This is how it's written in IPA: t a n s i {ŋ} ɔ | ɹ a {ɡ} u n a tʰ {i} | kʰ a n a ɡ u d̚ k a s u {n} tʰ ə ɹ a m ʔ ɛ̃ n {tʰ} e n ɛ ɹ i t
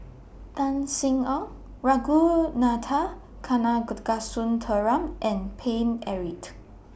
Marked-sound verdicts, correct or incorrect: correct, correct, incorrect: a, correct, incorrect: pʰ

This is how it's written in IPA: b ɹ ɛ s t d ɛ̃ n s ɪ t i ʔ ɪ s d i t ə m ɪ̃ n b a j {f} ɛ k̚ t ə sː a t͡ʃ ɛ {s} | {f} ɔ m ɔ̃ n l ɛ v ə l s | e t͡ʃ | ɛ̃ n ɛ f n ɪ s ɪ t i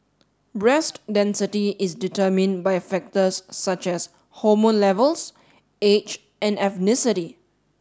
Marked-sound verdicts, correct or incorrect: correct, correct, incorrect: h

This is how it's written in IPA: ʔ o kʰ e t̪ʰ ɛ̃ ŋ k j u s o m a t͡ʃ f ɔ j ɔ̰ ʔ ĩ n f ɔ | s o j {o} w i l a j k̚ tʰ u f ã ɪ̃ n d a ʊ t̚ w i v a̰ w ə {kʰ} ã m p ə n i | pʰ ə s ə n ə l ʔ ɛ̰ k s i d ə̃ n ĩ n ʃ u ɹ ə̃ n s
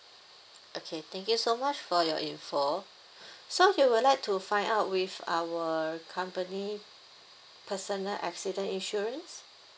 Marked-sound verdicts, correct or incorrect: incorrect: u, correct

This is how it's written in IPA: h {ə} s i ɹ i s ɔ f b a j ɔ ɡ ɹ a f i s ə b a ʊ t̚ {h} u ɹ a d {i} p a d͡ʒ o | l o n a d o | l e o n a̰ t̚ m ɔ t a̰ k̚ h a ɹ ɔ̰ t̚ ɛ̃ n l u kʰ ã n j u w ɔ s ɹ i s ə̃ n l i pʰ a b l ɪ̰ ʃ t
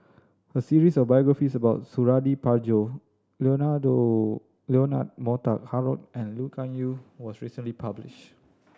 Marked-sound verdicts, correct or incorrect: correct, incorrect: s, correct

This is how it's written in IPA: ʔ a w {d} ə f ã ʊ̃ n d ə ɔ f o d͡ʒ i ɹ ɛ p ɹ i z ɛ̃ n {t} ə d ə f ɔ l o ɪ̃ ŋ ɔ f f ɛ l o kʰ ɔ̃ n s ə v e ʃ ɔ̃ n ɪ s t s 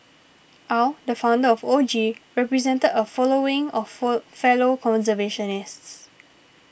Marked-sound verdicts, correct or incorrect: correct, correct

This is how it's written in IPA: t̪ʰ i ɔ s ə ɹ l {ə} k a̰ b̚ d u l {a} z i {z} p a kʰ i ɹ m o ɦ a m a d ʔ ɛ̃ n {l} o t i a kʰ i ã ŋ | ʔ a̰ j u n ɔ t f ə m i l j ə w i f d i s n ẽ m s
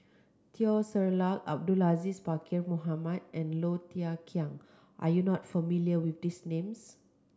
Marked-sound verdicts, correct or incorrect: incorrect: a, correct, incorrect: s, correct

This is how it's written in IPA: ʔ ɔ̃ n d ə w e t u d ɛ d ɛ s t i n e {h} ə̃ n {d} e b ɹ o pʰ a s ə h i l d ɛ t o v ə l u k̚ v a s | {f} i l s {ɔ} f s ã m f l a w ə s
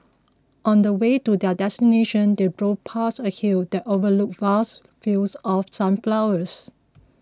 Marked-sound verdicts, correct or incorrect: incorrect: ʃ, correct, correct, correct

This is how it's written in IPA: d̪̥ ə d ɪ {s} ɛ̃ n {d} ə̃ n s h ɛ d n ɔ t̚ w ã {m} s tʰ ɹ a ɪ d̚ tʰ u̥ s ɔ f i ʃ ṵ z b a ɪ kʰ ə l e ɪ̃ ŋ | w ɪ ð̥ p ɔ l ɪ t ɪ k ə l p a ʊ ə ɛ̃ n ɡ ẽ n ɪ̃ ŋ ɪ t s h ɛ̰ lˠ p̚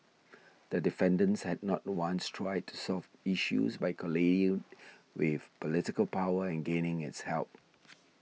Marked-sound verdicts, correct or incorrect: incorrect: f, correct, incorrect: n

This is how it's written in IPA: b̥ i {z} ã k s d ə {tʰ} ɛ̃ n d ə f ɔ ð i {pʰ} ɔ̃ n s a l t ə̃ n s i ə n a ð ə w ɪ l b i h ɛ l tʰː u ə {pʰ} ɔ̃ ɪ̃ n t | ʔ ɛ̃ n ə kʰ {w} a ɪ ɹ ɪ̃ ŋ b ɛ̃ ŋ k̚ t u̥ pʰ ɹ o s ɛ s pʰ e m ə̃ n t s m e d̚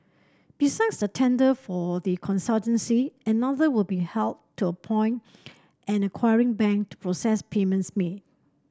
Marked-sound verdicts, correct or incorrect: incorrect: s, correct, incorrect: kʰ, correct, correct

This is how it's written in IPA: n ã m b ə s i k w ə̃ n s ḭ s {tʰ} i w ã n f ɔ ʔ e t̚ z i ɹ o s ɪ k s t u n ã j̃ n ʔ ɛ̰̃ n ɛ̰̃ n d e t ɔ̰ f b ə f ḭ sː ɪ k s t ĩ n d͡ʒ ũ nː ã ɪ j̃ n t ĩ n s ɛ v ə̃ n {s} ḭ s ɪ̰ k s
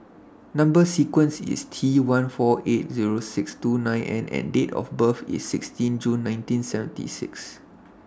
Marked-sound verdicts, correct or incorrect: correct, incorrect: t

